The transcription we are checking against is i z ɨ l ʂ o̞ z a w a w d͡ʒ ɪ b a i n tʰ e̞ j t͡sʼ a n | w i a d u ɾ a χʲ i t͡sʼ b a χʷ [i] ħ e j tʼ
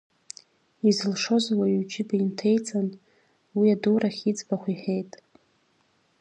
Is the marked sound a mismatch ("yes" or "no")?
no